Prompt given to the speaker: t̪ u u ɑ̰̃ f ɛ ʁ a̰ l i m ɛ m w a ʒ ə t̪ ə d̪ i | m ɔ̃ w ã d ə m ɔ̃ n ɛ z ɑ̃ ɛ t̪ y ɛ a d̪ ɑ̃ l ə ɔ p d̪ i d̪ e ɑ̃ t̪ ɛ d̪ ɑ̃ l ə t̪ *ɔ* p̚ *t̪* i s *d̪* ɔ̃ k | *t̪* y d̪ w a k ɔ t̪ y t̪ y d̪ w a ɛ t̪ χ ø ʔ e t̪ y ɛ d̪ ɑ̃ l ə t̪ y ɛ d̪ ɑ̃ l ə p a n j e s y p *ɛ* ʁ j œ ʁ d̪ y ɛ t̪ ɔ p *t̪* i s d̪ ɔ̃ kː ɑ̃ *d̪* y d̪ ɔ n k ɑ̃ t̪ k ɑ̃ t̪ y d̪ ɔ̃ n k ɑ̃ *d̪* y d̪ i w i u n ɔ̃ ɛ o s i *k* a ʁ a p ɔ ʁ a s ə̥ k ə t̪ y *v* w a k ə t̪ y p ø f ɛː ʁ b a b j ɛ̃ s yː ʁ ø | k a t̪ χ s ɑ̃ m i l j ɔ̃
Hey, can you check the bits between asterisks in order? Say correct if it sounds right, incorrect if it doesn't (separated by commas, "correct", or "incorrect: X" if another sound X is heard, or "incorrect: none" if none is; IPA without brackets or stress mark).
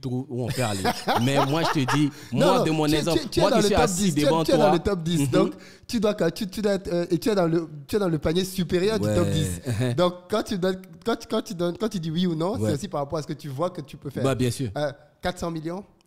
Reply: correct, incorrect: d̪, correct, correct, incorrect: e, incorrect: d̪, incorrect: t̪, incorrect: t̪, incorrect: p, correct